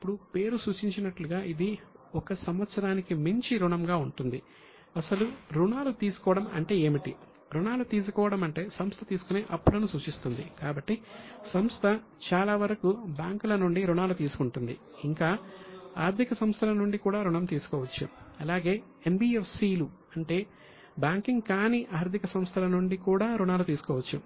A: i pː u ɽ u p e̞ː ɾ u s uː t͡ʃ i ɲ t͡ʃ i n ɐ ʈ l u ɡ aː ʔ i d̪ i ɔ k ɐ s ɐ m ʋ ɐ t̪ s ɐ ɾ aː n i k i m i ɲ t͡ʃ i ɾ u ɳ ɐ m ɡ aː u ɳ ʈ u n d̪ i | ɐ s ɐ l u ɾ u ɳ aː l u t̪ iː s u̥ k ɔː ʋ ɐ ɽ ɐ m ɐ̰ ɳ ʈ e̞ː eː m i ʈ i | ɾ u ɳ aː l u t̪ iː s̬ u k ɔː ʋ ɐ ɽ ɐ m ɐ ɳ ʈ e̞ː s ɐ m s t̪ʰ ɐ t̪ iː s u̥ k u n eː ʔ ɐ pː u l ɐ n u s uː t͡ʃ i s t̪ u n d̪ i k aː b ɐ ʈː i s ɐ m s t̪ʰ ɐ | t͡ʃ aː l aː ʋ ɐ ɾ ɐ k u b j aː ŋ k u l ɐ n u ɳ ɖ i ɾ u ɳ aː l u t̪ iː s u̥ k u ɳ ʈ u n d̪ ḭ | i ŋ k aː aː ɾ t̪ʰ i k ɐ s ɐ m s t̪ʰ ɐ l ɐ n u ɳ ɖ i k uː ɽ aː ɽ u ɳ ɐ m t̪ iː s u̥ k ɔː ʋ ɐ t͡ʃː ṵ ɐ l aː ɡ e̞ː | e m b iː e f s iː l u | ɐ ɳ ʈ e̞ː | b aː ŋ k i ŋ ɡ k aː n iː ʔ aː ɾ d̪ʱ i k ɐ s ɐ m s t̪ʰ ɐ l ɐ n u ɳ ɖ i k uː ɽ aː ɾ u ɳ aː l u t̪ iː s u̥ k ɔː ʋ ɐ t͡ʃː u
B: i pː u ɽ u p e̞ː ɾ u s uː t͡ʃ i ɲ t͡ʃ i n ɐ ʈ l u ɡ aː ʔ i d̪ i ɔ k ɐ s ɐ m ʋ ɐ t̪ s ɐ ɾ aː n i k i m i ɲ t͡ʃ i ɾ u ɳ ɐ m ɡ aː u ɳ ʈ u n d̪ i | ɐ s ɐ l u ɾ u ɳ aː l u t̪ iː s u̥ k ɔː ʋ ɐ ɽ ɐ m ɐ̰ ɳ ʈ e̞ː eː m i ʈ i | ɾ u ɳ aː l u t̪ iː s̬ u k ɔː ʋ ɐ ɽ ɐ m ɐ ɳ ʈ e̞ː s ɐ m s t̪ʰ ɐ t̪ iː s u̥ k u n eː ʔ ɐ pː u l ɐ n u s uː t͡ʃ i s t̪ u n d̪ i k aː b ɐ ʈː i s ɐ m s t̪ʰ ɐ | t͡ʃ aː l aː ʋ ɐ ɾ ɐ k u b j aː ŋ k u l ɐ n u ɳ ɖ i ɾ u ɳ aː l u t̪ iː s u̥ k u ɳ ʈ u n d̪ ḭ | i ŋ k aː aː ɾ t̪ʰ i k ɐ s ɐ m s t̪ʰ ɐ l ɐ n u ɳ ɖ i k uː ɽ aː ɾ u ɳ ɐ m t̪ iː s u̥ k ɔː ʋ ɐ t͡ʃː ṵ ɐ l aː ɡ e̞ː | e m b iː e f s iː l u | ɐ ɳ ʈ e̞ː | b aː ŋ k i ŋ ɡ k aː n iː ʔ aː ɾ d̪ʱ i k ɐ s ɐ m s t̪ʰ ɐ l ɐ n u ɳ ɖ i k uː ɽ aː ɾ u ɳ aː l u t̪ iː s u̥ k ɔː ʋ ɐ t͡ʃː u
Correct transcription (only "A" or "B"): B